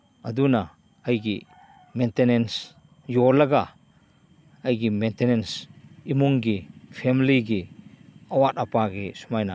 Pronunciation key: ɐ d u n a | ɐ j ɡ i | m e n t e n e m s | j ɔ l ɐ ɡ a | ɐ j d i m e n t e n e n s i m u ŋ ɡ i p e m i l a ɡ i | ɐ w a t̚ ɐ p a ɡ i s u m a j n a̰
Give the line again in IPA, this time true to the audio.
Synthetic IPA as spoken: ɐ d u n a | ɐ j ɡ i | m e n t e n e n s | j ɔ l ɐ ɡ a | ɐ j ɡ i m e n t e n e n s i m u ŋ ɡ i pʰ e m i l i ɡ i | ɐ w a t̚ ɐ p a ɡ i s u m a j n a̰